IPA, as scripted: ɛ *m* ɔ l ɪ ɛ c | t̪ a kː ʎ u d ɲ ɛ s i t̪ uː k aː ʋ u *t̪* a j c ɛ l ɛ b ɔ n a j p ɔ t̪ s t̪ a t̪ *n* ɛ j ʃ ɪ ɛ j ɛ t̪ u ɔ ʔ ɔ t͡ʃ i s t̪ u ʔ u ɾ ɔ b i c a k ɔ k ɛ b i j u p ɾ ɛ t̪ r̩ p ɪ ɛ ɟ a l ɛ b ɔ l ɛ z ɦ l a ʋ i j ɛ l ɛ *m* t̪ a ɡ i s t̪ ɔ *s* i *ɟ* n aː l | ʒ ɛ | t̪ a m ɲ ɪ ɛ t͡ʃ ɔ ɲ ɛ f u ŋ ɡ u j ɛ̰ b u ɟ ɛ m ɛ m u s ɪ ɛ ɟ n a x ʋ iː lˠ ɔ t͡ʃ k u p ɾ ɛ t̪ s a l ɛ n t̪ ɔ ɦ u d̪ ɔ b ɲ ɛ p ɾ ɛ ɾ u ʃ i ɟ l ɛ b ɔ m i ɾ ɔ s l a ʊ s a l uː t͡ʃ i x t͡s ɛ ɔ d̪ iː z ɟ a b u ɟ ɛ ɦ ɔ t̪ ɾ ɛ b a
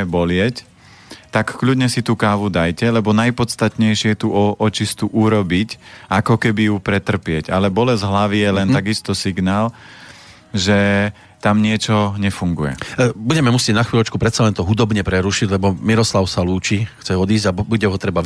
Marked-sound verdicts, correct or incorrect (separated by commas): incorrect, incorrect, incorrect, incorrect, correct, incorrect